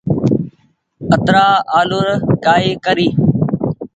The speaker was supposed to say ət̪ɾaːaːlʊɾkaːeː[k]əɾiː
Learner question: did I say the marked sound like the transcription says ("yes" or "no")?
yes